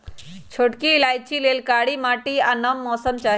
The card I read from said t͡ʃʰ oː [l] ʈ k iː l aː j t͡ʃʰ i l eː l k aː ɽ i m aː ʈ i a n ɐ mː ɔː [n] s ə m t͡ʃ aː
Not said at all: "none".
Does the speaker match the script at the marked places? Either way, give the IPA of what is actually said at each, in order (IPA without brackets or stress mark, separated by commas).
none, none